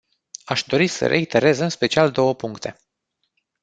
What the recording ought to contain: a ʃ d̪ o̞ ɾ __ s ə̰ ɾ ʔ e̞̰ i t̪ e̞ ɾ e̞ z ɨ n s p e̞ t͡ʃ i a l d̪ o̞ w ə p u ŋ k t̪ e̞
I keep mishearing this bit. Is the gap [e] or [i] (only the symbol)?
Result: i